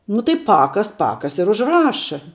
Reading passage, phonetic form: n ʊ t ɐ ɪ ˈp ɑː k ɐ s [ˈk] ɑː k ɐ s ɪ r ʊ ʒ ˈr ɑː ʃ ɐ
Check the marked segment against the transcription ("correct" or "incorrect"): incorrect